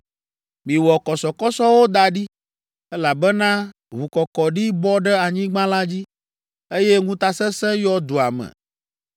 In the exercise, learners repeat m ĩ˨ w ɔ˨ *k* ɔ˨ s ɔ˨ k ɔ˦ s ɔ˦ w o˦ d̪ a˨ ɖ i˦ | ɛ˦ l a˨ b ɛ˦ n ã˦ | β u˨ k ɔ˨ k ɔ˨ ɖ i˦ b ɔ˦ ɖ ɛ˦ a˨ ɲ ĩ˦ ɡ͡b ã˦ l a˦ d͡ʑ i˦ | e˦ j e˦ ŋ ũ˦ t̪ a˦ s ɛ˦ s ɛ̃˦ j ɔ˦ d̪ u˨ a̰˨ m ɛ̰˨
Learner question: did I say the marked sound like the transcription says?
yes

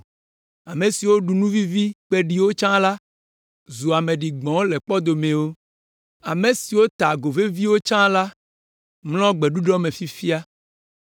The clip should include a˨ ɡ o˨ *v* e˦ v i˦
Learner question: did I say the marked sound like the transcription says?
yes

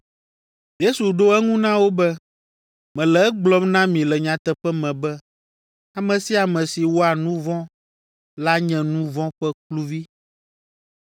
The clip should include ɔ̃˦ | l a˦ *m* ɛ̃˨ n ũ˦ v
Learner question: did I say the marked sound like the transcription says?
no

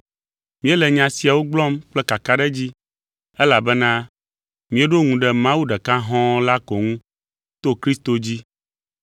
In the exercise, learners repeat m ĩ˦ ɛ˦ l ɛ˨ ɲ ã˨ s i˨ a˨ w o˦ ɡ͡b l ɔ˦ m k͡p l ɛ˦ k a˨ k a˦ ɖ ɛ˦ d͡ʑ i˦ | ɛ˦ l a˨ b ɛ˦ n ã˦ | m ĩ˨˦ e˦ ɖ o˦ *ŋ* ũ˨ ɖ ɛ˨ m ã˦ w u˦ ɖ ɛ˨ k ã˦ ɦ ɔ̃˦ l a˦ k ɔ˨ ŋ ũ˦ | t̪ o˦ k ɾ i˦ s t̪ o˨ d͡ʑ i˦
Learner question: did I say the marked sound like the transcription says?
yes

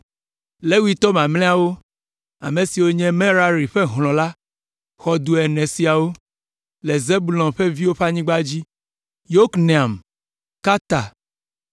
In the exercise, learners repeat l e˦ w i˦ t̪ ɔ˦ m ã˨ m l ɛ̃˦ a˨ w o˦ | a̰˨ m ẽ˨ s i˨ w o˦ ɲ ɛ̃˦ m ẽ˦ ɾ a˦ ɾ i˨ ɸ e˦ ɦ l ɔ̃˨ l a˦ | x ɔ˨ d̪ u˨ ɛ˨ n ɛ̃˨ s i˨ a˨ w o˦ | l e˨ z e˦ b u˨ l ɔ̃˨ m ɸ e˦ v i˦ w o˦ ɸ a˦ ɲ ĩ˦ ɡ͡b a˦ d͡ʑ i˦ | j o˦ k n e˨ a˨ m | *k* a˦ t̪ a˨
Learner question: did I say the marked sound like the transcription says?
yes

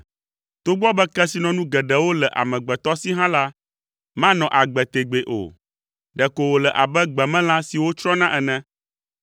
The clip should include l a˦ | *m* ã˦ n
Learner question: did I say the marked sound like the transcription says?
yes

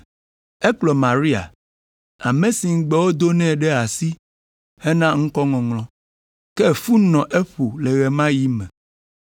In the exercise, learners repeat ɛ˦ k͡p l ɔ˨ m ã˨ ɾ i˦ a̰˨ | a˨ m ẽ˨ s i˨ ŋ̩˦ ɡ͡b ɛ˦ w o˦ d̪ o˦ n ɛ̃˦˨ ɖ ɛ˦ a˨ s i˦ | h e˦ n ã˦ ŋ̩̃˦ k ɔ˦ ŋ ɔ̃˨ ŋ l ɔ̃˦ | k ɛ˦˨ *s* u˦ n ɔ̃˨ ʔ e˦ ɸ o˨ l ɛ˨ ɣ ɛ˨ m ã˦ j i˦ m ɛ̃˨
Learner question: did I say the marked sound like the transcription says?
no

